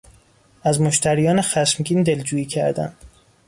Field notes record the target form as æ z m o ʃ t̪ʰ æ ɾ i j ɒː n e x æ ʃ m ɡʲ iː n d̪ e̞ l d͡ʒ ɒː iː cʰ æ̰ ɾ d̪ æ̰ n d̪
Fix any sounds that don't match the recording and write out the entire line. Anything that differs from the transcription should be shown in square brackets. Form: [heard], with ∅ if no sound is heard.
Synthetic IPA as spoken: æ z m o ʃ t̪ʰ æ ɾ i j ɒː n e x æ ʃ m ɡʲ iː n d̪ e̞ l d͡ʒ [uː] iː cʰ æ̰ ɾ d̪ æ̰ n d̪

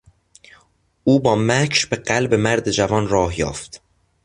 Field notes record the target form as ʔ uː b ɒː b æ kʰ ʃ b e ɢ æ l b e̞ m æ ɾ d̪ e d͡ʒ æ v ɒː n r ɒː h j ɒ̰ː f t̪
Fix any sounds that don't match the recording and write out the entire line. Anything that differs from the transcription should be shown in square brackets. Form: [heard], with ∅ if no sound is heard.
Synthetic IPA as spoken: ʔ uː b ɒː [m] æ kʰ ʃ b e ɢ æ l b e̞ m æ ɾ d̪ e d͡ʒ æ v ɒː n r ɒː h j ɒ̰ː f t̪

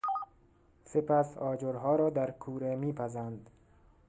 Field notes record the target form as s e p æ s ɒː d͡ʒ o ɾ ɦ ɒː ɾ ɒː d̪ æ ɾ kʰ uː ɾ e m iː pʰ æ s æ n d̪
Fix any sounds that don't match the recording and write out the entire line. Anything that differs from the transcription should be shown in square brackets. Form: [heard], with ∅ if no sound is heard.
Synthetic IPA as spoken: s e p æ s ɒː d͡ʒ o ɾ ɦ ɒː ɾ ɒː d̪ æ ɾ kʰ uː ɾ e m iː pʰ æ [z] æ n d̪

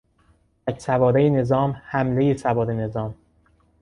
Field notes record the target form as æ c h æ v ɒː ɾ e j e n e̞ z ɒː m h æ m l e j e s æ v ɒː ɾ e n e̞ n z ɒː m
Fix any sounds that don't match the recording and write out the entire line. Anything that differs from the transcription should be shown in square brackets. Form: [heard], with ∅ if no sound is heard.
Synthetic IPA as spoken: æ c [s] æ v ɒː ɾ e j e n e̞ z ɒː m h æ m l e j e s æ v ɒː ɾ e n e̞ [∅] z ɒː m

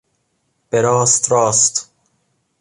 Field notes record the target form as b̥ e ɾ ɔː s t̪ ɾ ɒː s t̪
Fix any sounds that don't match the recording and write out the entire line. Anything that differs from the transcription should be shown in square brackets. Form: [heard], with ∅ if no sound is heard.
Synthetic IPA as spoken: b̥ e ɾ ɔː s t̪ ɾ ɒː s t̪

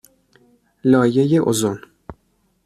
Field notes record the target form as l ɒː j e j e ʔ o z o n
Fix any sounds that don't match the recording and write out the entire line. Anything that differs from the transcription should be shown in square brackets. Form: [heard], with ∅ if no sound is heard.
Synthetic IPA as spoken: l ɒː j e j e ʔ o z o n

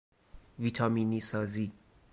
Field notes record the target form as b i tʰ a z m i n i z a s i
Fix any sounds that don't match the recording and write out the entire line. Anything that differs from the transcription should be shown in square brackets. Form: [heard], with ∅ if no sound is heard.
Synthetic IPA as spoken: [v] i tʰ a [∅] m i n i [s] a [z] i

